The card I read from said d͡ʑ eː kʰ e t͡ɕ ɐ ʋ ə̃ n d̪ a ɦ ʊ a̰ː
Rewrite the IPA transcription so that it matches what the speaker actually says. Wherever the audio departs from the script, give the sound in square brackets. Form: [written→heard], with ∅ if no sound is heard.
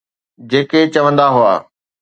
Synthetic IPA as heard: d͡ʑ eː [kʰ→k] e t͡ɕ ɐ ʋ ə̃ n d̪ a ɦ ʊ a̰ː

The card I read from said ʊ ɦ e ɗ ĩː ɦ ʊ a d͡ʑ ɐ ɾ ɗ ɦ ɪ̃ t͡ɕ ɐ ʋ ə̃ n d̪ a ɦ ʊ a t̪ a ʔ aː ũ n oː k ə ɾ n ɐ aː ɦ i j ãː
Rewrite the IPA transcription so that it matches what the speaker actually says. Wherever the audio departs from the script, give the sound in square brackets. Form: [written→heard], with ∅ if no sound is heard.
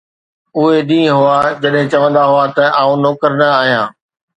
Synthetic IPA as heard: ʊ ɦ e ɗ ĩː ɦ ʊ a d͡ʑ ɐ [ɾ→∅] ɗ ɦ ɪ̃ t͡ɕ ɐ ʋ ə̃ n d̪ a ɦ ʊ a t̪ [a→ɐ] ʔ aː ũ n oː k ə ɾ n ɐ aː ɦ i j ãː

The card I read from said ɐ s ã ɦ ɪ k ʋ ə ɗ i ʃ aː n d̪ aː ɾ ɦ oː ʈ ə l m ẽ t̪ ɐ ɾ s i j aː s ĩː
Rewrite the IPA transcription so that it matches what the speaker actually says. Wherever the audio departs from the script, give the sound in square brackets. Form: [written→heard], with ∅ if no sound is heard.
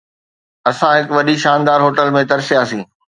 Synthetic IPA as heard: ɐ s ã ɦ ɪ k ʋ [ə→ɐ] ɗ i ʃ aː n d̪ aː ɾ ɦ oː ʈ ə l m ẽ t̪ ɐ ɾ s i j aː s ĩː

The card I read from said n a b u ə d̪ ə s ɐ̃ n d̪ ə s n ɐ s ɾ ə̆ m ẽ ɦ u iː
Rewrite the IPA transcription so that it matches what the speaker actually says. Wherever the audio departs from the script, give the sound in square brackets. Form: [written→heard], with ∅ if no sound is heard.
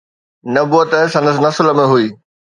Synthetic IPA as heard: n [a→ɐ] b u ə [d̪→t̪] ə s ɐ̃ n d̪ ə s n ɐ s [ɾ→l] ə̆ m ẽ ɦ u iː

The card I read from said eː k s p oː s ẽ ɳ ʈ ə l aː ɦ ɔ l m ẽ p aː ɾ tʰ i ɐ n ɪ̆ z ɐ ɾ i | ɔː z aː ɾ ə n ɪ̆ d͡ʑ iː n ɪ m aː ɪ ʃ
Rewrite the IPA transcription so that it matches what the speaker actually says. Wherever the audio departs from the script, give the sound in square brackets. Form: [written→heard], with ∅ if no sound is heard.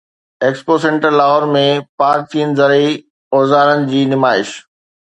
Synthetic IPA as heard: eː k s p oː s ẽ ɳ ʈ ə l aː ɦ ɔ [l→ɾ] m ẽ p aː ɾ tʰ i [ɐ→ə] n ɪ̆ z ɐ ɾ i | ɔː z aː ɾ ə n ɪ̆ d͡ʑ iː n ɪ m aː ɪ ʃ

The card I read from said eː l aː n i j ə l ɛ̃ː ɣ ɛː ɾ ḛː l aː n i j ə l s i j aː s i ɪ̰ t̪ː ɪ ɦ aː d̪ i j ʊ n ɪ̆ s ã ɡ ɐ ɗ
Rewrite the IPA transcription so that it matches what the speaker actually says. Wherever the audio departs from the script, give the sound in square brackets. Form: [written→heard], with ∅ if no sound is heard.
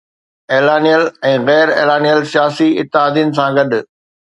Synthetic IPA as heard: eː l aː n i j ə l ɛ̃ː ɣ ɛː ɾ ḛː l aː n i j ə l s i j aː s i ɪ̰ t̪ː ɪ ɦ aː d̪ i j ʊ n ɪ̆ s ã ɡ ɐ ɗ

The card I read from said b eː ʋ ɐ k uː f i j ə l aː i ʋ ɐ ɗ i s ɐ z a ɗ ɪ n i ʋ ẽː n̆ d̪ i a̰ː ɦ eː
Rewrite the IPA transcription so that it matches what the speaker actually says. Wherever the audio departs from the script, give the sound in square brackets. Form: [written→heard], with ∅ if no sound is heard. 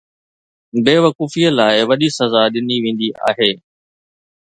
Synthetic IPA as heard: b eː ʋ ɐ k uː f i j ə l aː [i→ɪ] ʋ ɐ ɗ i s ɐ z a ɗ ɪ n i ʋ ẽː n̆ d̪ i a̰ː ɦ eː

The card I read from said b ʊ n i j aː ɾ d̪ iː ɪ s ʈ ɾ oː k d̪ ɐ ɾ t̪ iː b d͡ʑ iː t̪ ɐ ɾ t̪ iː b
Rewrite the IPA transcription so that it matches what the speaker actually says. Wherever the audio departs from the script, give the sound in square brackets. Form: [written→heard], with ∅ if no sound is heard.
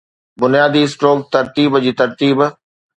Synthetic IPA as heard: b ʊ n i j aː [ɾ→∅] d̪ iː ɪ s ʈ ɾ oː k [d̪→t̪] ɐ ɾ t̪ iː b d͡ʑ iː t̪ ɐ ɾ t̪ iː b

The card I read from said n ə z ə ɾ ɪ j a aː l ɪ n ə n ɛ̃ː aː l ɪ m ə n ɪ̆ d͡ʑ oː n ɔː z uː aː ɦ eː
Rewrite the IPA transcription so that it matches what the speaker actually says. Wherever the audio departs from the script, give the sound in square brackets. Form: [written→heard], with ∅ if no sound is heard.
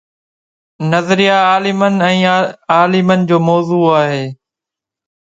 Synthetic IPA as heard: n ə z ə ɾ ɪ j a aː l ɪ [n→m] ə n ɛ̃ː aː l ɪ m ə n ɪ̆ d͡ʑ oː [n→m] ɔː z uː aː ɦ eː

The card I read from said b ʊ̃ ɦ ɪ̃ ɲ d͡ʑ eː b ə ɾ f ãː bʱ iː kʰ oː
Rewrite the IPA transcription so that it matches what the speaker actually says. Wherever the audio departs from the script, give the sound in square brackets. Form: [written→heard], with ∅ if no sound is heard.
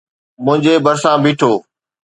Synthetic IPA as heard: [b→m] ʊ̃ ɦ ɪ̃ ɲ d͡ʑ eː b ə ɾ [f→s] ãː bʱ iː [kʰ→ʈʰ] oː

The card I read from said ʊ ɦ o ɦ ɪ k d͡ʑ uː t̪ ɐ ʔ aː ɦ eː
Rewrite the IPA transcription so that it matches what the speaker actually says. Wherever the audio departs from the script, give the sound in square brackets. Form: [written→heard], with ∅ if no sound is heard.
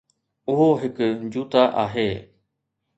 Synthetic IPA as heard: ʊ ɦ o ɦ ɪ k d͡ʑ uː t̪ [ɐ→a] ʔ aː ɦ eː

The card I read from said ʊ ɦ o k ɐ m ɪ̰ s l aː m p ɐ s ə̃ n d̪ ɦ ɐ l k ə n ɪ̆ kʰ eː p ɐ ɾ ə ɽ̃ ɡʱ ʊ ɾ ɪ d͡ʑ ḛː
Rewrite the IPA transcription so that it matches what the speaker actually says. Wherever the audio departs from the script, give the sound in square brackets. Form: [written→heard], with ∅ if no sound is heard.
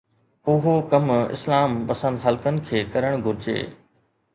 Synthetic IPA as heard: ʊ ɦ o k ɐ m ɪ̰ s l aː m p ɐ s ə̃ n d̪ ɦ ɐ l k ə n ɪ̆ kʰ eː [p→k] ɐ ɾ ə ɽ̃ ɡʱ ʊ ɾ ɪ d͡ʑ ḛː

